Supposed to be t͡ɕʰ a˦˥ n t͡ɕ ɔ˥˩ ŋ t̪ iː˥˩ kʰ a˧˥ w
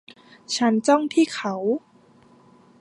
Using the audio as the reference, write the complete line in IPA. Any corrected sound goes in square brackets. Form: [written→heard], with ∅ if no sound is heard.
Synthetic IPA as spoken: t͡ɕʰ a˦˥ n t͡ɕ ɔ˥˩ ŋ [t̪→t̪ʰ] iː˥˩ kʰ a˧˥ w